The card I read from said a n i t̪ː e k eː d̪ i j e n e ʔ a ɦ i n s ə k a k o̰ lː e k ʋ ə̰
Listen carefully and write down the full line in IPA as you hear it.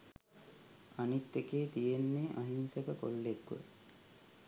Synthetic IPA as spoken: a n i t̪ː e k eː t̪ i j e nː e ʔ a ɦ i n s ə k ə k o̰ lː e k ʋ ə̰